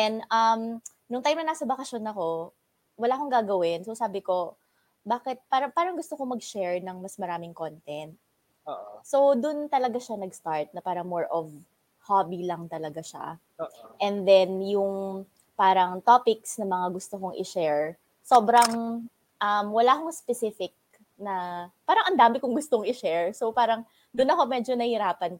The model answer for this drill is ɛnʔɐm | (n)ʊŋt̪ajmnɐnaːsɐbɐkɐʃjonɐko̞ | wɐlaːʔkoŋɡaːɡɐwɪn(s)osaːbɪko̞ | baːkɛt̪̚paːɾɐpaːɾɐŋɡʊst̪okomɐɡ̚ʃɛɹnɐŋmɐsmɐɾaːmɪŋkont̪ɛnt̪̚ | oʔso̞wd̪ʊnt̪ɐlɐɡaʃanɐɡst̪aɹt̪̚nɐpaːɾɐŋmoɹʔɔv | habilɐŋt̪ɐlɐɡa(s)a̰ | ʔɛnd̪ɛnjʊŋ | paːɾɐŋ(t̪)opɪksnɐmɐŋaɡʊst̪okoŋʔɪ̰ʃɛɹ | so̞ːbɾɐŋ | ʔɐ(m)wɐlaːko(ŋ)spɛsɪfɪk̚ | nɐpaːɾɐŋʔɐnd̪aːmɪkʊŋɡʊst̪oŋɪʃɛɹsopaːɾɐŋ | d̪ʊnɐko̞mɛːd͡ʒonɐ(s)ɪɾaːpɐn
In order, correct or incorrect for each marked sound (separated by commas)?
correct, correct, incorrect, correct, correct, correct, incorrect